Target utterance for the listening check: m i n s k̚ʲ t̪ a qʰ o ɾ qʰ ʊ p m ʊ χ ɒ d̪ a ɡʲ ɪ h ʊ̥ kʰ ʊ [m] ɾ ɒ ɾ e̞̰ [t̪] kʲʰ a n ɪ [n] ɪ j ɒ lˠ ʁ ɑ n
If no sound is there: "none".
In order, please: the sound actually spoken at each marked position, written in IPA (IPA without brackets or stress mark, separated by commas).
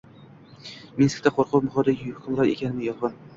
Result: m, none, m